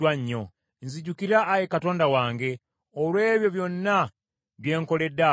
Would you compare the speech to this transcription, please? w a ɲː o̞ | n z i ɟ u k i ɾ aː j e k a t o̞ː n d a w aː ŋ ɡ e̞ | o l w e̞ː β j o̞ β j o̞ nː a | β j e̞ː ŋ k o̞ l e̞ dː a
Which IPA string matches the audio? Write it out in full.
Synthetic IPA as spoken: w a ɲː o̞ | n z i ɟ u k i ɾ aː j e k a t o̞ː n d a w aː ŋ ɡ e̞ | o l w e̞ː β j o̞ β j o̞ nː a | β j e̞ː ŋ k o̞ l e̞ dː a

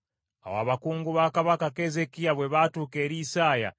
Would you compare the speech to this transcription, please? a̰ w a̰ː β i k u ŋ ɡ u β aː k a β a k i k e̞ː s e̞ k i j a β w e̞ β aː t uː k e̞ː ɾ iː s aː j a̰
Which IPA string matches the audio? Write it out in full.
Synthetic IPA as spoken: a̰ w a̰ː β a k uː ŋ ɡ u β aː k a β a k a k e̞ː z e̞ k i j a β w e̞ β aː t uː k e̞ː ɾ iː s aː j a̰

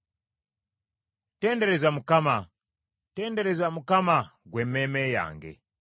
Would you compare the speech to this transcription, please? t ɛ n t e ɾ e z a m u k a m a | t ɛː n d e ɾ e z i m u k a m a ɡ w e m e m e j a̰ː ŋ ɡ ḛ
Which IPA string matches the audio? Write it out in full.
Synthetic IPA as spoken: t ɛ n d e ɾ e z a m u k a m a | t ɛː n d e ɾ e z a m u k a m a ɡ w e m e m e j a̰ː ŋ ɡ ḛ

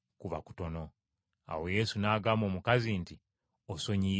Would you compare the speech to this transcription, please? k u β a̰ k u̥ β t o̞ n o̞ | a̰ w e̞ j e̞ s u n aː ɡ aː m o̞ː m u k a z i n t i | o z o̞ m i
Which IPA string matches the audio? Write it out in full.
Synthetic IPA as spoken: k u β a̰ k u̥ t o̞ n o̞ | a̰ w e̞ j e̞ s u n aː ɡ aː m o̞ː m u k a z i n t i | o s o̞ ɲ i

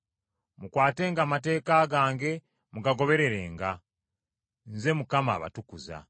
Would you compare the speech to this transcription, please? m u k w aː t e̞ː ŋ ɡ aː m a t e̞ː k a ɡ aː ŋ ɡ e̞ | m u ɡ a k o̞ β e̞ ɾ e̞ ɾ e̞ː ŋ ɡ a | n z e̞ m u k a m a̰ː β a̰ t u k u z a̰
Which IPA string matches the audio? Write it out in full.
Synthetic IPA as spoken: m u k w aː t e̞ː ŋ ɡ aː m a t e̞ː k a ɡ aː ŋ ɡ e̞ | m u ɡ a ɡ o̞ β e̞ ɾ e̞ ɾ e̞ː ŋ ɡ a | n z e̞ m u k a m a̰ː β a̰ t u k u z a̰

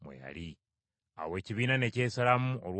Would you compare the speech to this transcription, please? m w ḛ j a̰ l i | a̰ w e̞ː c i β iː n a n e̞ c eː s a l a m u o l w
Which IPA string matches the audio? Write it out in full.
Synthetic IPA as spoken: m w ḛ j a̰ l i | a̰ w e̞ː c i β iː n a n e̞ c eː s a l a m u o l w

